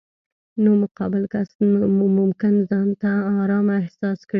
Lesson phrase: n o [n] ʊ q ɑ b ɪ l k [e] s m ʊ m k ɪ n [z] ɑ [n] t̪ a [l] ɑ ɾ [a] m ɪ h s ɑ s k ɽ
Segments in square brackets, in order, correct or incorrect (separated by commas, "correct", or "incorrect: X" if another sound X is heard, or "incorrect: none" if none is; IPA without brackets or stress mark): incorrect: m, incorrect: a, correct, correct, incorrect: none, incorrect: ɑ